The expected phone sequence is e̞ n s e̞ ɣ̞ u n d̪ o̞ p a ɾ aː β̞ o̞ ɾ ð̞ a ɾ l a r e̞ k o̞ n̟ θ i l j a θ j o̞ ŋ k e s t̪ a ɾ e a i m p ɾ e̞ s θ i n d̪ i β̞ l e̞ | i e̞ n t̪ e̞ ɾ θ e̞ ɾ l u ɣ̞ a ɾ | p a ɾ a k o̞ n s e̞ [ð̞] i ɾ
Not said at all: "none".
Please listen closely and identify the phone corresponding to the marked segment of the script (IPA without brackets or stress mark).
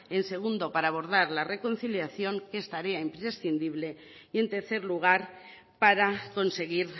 ɣ̞